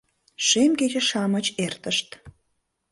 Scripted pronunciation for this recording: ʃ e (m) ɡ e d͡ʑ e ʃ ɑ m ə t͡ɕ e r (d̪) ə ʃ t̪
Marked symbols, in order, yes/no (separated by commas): yes, no